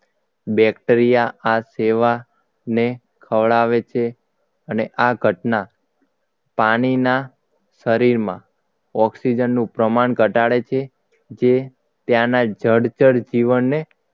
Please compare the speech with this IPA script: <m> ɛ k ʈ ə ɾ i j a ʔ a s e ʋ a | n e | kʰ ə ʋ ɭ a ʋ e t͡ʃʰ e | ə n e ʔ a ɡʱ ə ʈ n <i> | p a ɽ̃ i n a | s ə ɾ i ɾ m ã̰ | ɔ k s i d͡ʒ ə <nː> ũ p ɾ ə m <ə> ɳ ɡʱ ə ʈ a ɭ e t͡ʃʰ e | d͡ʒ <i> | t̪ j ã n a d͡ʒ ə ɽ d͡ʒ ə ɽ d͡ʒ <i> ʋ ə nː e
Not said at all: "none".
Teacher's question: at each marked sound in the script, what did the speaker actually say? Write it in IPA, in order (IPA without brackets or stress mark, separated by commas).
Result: b, a, nː, a, e, i